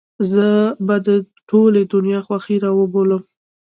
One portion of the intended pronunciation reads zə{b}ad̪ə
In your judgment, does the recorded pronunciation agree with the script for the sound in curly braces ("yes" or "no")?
yes